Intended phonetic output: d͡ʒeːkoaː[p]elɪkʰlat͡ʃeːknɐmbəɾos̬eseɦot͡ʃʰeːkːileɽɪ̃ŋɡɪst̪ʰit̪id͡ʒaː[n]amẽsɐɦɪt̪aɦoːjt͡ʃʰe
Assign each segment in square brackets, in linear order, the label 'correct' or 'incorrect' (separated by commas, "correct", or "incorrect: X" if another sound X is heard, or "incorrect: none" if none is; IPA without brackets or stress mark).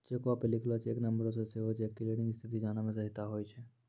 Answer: correct, correct